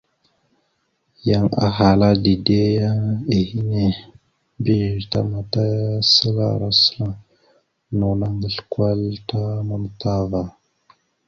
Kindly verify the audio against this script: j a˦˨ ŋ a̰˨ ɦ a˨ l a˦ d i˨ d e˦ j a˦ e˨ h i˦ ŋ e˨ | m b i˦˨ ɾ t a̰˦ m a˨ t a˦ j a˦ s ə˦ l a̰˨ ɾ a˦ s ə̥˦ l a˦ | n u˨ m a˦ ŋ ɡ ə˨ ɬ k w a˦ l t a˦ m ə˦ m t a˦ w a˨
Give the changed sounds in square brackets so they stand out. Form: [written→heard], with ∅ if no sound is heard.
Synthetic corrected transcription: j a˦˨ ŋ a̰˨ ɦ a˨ l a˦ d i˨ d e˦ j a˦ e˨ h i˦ [ŋ→n] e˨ | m b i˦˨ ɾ t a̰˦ m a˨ t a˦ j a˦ s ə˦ l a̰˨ ɾ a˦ s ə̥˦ l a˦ | n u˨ [m→n] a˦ ŋ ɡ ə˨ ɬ k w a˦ l t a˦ m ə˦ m t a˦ [w→v] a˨